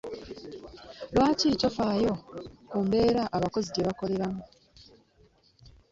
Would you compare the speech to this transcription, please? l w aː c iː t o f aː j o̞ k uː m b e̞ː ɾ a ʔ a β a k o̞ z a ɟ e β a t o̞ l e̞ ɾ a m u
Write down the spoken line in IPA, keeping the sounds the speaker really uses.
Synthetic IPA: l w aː c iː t o f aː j o̞ k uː m b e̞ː ɾ a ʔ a β a k o̞ z i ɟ e β a k o̞ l e̞ ɾ a m u